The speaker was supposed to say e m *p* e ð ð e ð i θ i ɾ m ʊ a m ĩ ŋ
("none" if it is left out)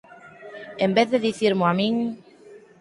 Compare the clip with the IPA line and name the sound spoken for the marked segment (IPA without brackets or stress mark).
b